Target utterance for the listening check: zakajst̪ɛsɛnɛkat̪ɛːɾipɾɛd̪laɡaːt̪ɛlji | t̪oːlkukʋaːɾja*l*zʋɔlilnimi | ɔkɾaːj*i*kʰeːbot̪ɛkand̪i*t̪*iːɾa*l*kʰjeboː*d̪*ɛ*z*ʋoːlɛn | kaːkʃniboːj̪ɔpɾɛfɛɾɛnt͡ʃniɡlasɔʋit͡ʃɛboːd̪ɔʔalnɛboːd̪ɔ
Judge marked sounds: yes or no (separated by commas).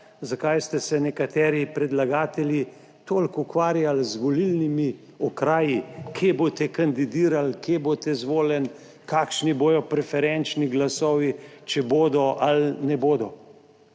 yes, yes, no, yes, no, yes